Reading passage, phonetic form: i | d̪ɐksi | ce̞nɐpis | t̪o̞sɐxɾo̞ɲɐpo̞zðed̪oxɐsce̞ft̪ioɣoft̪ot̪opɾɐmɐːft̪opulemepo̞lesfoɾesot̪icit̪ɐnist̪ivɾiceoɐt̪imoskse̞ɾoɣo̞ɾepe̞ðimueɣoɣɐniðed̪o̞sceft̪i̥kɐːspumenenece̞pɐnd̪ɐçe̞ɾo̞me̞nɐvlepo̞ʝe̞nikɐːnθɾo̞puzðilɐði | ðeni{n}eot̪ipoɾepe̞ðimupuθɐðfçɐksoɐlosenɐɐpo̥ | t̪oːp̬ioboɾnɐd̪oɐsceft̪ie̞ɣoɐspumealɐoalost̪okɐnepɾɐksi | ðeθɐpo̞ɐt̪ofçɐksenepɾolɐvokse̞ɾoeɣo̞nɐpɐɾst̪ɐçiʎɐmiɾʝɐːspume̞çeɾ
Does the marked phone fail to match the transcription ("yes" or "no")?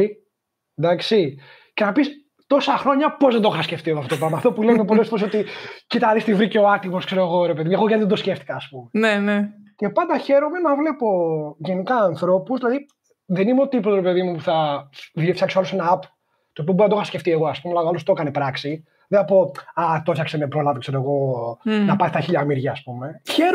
yes